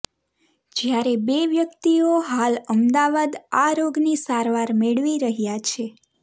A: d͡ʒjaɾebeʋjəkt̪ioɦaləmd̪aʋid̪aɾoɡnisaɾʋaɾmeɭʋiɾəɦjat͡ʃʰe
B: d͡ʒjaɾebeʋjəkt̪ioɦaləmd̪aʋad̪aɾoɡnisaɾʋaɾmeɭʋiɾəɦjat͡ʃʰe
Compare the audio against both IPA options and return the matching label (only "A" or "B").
B